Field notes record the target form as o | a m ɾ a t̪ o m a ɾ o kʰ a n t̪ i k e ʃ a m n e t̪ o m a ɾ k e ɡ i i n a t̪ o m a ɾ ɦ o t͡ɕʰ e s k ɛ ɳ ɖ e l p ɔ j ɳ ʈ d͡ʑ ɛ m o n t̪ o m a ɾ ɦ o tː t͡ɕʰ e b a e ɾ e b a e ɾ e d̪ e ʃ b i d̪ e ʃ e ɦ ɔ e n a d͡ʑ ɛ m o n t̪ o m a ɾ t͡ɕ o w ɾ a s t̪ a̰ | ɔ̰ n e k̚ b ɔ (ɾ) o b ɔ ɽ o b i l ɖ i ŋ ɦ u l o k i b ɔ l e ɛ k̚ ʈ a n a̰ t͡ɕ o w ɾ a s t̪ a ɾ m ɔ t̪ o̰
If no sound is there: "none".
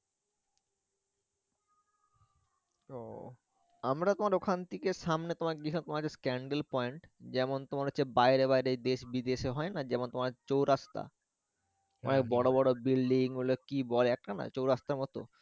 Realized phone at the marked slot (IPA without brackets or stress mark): ɽ